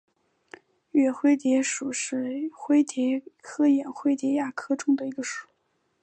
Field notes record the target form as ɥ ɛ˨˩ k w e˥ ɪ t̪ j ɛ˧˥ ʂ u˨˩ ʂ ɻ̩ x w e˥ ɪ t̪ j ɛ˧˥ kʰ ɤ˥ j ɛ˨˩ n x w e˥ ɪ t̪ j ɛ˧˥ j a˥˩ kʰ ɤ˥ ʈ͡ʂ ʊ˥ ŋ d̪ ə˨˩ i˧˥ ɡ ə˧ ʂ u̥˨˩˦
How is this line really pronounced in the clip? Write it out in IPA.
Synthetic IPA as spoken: ɥ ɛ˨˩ x w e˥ ɪ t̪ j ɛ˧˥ ʂ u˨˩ ʂ ɻ̩ x w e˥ ɪ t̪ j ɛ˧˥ kʰ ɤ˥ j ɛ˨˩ n x w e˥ ɪ t̪ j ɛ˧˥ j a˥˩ kʰ ɤ˥ ʈ͡ʂ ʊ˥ ŋ d̪ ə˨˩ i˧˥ ɡ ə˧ ʂ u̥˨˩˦

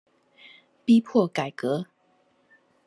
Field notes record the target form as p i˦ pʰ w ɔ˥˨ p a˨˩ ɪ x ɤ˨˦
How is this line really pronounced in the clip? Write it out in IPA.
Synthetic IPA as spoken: p i˦ pʰ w ɔ˥˨ k a˨˩ ɪ k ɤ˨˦

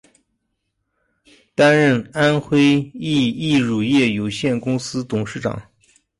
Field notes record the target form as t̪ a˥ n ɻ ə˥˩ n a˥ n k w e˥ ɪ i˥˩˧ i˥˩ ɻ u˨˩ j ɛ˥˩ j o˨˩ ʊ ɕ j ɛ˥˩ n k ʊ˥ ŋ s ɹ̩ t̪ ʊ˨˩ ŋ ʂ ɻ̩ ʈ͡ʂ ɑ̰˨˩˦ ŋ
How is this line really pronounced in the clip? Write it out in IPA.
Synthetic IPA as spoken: t̪ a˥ n ɻ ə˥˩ n a˥ n x w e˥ ɪ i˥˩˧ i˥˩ ɻ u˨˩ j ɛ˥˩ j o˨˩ ʊ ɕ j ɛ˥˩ n k ʊ˥ ŋ s ɹ̩ t̪ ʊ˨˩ ŋ ʂ ɻ̩ ʈ͡ʂ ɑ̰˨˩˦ ŋ

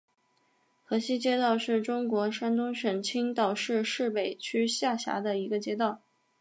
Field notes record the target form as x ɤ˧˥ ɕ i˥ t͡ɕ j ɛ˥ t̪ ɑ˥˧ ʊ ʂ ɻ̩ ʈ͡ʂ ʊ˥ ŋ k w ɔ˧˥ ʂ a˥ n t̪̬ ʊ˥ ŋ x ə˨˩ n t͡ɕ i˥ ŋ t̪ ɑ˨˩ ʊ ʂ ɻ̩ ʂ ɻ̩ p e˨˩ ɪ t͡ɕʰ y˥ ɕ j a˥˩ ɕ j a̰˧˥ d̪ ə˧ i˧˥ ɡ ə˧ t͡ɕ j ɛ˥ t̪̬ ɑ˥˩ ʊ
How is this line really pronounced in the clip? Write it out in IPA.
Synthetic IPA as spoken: x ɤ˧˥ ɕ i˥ t͡ɕ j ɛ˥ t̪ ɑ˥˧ ʊ ʂ ɻ̩ ʈ͡ʂ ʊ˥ ŋ k w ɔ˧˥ ʂ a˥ n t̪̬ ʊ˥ ŋ ʂ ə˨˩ n t͡ɕʰ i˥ ŋ t̪ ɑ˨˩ ʊ ʂ ɻ̩ ʂ ɻ̩ p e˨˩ ɪ t͡ɕʰ y˥ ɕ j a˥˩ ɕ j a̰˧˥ d̪ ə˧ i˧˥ ɡ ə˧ t͡ɕ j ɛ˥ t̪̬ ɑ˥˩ ʊ

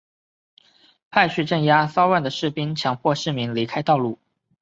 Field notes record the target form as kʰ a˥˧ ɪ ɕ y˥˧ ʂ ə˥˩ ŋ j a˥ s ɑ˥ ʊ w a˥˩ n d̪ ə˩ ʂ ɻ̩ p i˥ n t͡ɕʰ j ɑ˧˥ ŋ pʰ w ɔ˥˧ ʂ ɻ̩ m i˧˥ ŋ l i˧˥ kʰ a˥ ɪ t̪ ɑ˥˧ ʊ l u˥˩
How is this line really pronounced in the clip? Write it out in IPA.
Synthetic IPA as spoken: pʰ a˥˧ ɪ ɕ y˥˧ ʈ͡ʂ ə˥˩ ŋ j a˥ s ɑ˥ ʊ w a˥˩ n d̪ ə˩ ʂ ɻ̩ p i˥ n t͡ɕʰ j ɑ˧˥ ŋ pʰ w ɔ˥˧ ʂ ɻ̩ m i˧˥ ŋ l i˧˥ kʰ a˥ ɪ t̪ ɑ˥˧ ʊ l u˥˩

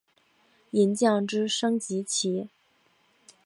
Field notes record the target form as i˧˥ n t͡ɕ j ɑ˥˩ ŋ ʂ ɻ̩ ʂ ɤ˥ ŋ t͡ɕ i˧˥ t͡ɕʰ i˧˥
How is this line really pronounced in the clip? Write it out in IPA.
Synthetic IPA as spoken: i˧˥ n t͡ɕ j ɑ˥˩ ŋ ʈ͡ʂ ɻ̩ ʂ ɤ˥ ŋ t͡ɕ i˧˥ t͡ɕʰ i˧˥

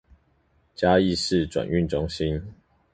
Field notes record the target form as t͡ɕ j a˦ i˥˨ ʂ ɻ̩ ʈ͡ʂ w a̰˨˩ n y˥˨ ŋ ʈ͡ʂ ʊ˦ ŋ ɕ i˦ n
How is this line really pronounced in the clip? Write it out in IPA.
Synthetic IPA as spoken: t͡ɕ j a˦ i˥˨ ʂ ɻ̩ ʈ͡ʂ w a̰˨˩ n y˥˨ n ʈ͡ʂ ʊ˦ ŋ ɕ i˦ n

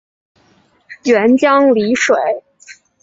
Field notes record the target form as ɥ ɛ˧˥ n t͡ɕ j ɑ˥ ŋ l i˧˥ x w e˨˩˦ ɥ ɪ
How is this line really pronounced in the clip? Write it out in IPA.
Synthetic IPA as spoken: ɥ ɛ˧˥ n t͡ɕ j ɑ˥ ŋ l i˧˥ ʂ w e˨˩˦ ɪ

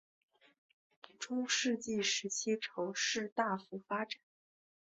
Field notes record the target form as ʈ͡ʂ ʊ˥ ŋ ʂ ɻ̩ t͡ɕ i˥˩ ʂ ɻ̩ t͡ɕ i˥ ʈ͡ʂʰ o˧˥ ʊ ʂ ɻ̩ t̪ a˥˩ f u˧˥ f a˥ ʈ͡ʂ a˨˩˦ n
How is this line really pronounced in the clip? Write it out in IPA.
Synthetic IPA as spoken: ʈ͡ʂ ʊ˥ ŋ ʂ ɻ̩ t͡ɕ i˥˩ ʂ ɻ̩ t͡ɕʰ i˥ ʈ͡ʂʰ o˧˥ ʊ ʂ ɻ̩ t̪ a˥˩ f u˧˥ f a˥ ʈ͡ʂ a˨˩˦ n

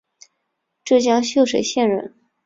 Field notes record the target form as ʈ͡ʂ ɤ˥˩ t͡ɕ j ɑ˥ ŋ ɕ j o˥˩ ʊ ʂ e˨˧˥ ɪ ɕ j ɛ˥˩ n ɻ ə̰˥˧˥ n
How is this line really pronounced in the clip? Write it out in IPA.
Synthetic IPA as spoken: ʈ͡ʂ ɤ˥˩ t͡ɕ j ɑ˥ ŋ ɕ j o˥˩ ʊ ʂ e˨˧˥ ɪ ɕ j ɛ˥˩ n ɻ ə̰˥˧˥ n

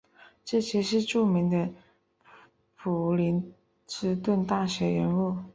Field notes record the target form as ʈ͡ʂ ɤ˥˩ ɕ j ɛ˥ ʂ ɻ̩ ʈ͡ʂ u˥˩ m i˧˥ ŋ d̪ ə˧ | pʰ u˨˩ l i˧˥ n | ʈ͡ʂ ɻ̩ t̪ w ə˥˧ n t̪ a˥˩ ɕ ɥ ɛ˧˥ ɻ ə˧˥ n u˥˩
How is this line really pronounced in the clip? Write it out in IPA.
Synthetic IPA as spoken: ʈ͡ʂ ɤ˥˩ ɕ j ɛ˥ ʂ ɻ̩ ʈ͡ʂ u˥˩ m i˧˥ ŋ d̪ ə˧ | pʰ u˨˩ l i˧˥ n | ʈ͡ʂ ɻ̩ t̪ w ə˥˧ n t̪ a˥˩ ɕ ɥ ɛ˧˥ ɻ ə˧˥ n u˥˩

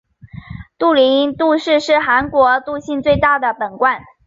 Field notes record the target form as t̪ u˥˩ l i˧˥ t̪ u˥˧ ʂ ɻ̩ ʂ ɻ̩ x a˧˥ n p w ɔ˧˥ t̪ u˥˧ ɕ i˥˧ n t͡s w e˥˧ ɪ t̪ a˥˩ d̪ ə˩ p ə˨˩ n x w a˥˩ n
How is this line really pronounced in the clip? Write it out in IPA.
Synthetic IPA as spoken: t̪ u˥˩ l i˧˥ t̪ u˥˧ ʂ ɻ̩ ʂ ɻ̩ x a˧˥ n k w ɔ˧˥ t̪ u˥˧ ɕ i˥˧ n t͡s w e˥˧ ɪ t̪ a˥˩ d̪ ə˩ p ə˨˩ n k w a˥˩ n

